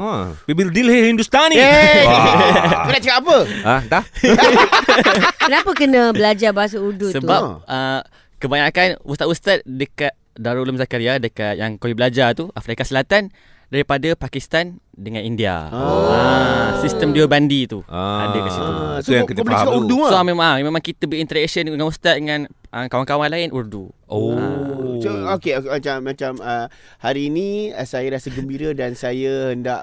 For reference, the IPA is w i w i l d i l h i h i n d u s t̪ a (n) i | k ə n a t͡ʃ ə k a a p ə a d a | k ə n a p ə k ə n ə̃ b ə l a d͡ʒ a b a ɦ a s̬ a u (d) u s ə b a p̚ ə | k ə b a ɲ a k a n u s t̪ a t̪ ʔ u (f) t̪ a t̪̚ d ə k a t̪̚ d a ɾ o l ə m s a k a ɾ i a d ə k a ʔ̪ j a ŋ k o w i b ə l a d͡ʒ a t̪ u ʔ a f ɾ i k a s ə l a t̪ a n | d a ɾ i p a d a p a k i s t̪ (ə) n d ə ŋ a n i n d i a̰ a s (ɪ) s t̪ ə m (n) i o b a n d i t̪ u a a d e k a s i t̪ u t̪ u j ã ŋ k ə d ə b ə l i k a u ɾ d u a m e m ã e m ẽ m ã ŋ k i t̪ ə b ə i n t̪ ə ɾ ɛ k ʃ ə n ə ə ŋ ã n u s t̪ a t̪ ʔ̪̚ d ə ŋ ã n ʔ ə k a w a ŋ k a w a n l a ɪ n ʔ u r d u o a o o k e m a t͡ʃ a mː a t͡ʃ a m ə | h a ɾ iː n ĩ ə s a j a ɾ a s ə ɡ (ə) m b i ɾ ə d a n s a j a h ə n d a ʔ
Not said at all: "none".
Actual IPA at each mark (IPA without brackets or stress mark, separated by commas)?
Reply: n, d, s, a, i, d, ə